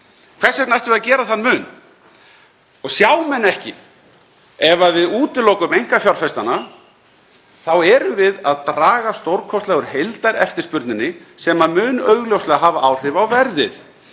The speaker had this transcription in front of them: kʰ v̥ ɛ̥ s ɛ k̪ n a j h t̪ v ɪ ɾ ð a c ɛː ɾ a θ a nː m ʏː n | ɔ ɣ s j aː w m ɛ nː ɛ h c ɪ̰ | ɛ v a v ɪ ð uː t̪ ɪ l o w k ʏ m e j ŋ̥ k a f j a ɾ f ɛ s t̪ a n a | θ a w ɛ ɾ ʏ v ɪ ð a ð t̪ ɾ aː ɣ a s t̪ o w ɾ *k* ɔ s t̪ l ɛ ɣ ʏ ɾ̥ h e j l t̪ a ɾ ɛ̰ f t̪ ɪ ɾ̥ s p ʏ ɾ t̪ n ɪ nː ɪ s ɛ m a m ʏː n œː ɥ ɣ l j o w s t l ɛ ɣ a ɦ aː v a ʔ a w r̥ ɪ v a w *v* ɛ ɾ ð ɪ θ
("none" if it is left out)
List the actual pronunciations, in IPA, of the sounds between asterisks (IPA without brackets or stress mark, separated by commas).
kʰ, v